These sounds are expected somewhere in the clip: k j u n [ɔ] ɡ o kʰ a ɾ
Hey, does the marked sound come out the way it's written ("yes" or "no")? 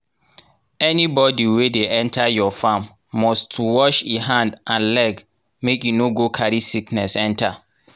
no